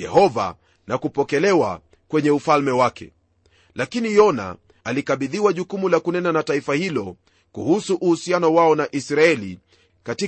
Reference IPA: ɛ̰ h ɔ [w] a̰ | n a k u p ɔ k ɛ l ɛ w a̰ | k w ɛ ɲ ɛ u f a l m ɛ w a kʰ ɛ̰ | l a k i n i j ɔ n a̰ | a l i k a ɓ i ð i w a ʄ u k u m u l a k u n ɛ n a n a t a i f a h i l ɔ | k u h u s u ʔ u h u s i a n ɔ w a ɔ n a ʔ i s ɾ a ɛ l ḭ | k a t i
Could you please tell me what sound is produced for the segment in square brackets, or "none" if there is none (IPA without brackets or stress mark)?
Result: v